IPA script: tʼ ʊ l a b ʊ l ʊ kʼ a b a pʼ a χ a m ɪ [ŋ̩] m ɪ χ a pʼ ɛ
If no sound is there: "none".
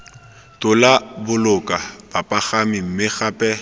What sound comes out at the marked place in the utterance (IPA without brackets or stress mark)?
m̩